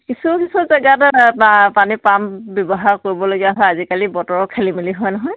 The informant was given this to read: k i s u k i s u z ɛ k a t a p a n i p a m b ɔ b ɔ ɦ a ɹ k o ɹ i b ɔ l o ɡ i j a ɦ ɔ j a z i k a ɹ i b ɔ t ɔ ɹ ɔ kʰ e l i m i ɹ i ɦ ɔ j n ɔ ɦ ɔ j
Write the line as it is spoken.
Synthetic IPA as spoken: k i s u k i s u z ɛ ɡ a t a p a n i p a m b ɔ b ɔ ɦ a ɹ k o ɹ i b ɔ l o ɡ i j a ɦ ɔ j a z i k a l i b ɔ t ɔ ɹ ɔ kʰ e l i m i l i ɦ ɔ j n ɔ ɦ ɔ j